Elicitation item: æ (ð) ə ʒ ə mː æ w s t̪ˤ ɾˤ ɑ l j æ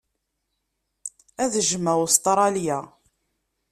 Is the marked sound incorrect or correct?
correct